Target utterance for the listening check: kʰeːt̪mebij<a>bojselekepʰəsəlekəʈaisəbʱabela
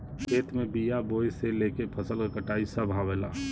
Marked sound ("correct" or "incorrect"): correct